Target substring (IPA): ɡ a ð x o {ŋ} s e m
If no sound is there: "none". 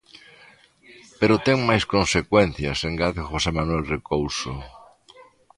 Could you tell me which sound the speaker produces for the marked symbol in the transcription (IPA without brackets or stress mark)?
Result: none